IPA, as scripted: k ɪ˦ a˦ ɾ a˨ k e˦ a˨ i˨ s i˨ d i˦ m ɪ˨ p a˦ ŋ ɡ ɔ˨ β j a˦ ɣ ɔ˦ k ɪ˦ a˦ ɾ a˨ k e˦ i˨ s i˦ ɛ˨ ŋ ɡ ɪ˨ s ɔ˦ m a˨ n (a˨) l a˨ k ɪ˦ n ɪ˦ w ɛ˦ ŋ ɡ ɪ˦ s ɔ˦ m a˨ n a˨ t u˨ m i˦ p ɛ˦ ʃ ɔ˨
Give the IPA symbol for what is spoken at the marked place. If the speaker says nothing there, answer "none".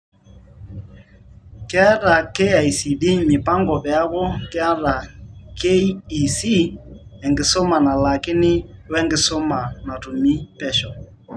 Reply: a˨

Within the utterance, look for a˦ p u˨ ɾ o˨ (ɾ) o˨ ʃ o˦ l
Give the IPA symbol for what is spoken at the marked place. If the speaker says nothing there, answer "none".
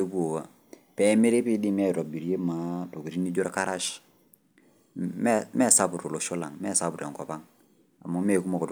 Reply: l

